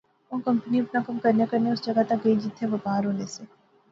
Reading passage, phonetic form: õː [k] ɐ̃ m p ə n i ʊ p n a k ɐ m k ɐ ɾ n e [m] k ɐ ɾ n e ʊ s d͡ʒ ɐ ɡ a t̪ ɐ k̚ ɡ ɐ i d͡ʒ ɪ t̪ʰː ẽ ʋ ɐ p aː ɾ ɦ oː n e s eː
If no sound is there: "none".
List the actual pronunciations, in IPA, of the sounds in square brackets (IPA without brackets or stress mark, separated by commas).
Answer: k, none